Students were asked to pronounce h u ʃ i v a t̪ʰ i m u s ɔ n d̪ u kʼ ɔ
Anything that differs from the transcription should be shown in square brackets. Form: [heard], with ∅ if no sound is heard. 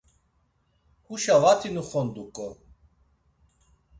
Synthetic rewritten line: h u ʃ [a] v a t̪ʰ i [n] u [χ] ɔ n d̪ u kʼ ɔ